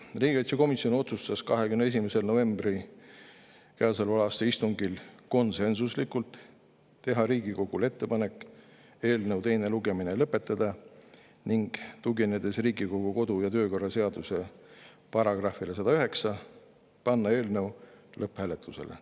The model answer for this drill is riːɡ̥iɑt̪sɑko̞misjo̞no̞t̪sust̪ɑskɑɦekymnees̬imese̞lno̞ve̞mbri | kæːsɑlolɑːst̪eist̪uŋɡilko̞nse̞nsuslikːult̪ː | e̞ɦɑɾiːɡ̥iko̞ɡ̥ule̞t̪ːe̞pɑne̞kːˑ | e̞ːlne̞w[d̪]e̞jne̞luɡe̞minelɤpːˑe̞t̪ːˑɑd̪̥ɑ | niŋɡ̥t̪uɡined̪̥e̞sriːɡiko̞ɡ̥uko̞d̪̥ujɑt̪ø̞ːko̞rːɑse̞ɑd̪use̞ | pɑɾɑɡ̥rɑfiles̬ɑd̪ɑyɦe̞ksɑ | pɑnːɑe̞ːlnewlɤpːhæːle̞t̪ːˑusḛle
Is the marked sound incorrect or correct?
incorrect